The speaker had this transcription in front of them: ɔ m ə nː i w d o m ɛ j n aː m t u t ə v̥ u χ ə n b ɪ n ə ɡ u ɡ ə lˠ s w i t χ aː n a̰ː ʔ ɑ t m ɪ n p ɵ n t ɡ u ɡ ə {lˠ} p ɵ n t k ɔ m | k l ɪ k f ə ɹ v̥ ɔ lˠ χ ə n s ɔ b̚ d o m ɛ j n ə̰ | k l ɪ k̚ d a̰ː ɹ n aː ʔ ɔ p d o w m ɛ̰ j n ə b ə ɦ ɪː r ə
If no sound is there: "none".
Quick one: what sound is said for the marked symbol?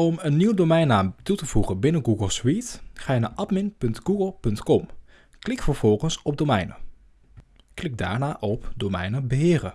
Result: lˠ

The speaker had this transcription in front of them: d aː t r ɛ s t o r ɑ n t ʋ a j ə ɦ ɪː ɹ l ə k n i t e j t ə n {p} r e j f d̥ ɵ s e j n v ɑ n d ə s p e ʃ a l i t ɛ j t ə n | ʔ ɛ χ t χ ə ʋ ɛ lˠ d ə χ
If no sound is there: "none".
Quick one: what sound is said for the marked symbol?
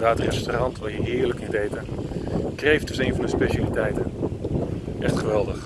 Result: k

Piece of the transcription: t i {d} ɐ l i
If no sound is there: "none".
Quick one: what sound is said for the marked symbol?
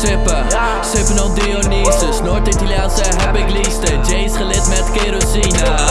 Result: t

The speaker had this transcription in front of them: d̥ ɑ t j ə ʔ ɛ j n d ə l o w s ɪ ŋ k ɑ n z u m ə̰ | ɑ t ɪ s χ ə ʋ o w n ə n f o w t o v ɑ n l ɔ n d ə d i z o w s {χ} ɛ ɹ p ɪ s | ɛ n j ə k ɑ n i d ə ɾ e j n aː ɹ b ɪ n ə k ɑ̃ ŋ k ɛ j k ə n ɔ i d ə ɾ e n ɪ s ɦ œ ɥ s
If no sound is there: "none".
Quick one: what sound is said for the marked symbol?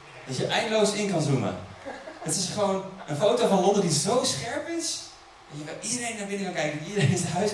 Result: χ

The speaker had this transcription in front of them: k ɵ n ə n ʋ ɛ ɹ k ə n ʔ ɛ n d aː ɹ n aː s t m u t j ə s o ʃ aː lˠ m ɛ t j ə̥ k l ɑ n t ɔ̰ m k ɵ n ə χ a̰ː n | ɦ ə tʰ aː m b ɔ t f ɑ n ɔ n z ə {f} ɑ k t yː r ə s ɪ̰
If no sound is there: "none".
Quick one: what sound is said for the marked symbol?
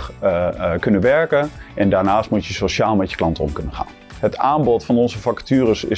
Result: f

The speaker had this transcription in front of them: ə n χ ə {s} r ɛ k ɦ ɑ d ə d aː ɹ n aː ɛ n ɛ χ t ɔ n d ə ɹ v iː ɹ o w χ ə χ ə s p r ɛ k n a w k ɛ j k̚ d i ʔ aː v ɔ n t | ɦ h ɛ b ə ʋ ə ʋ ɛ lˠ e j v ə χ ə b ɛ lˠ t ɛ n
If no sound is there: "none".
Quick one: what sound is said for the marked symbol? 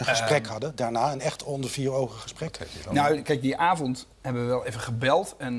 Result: s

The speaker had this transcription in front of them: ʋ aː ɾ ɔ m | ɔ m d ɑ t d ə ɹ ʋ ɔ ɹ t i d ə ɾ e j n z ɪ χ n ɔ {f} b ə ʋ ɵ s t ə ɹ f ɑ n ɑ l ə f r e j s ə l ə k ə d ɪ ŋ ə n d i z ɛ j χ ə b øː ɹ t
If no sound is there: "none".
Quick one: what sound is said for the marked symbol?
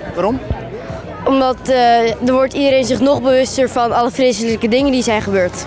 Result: χ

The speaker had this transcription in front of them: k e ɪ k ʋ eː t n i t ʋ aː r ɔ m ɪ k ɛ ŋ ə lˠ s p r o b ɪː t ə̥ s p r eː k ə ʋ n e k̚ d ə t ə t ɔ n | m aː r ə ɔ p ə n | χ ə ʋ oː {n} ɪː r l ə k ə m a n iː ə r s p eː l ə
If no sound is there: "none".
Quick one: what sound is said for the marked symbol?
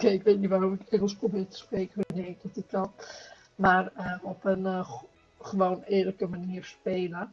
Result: n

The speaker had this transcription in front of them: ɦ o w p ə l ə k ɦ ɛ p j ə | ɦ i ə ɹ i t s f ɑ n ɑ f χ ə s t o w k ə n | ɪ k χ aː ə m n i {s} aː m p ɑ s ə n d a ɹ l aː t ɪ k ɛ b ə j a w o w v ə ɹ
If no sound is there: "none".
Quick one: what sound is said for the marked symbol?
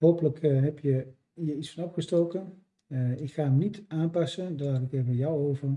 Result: t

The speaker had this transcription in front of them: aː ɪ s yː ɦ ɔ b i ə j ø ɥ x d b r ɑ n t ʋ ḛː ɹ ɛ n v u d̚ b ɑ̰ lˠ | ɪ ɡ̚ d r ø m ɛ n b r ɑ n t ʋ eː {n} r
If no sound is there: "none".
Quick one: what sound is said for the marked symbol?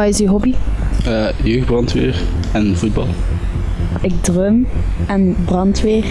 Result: none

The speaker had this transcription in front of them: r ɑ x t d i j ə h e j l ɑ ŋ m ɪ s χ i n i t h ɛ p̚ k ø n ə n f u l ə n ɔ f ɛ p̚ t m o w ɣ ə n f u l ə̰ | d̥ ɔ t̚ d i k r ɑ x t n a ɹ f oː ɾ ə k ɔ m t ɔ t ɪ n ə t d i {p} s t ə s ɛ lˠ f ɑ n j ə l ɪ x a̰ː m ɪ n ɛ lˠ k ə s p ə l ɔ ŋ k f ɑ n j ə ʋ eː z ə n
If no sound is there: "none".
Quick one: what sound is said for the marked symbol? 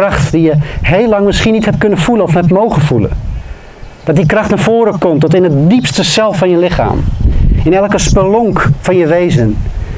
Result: p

